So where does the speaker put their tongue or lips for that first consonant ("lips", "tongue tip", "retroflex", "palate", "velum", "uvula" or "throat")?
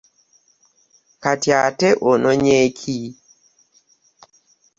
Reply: velum